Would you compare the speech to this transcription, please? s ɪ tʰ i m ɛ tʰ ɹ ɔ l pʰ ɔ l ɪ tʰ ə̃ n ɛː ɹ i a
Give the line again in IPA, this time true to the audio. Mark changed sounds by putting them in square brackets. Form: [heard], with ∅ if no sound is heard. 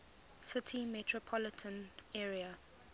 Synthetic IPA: s ɪ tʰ i m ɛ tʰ ɹ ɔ [∅] pʰ ɔ l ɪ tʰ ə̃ n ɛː ɹ i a

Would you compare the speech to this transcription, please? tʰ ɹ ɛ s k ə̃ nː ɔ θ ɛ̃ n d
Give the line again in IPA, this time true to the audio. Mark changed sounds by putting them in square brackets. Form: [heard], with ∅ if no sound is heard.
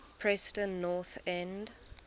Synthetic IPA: [pʰ] ɹ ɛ s [t] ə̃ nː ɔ θ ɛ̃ n d

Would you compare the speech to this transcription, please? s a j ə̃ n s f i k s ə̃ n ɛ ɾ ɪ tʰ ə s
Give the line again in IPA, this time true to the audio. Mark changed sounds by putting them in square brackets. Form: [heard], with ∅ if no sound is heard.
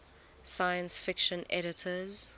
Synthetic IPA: s a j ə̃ n s f [ɪ] k [ʃ] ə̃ n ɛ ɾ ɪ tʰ ə [z]

